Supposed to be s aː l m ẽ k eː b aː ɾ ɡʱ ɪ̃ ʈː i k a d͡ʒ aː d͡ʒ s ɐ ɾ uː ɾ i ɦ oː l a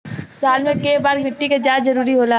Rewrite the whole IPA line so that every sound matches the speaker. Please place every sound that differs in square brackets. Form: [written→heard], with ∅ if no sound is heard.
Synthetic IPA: s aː l m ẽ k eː b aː ɾ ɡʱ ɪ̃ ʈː i k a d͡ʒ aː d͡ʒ [s→z] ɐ ɾ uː ɾ i ɦ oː l a